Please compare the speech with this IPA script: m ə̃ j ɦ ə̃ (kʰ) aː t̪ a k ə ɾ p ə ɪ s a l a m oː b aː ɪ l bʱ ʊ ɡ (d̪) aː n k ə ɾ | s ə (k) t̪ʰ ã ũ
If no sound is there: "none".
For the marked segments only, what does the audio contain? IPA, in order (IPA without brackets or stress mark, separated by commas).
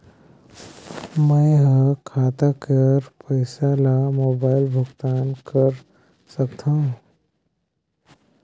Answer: kʰ, t̪, k